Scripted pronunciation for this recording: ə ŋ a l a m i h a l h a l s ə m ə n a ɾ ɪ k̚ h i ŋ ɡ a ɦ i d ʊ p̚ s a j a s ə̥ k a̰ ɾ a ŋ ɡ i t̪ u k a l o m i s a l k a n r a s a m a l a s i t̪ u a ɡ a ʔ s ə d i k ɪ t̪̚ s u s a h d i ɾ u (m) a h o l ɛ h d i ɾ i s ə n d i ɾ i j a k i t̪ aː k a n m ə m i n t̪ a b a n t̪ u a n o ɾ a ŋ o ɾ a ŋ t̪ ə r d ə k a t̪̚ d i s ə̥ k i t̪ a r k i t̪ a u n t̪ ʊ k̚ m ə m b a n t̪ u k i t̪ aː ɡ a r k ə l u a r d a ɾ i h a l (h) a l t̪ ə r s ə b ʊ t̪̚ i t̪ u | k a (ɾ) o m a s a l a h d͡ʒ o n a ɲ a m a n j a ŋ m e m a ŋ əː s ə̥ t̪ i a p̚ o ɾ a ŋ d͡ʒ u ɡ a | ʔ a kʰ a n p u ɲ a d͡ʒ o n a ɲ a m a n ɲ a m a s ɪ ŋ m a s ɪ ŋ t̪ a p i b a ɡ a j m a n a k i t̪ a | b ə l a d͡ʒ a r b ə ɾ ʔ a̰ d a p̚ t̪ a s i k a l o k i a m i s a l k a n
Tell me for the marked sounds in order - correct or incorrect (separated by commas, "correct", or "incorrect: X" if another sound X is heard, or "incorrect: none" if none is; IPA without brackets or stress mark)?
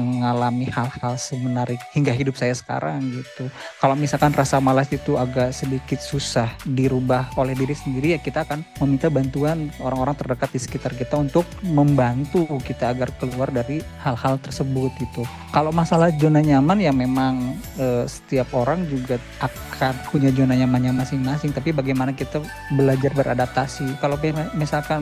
incorrect: b, correct, incorrect: l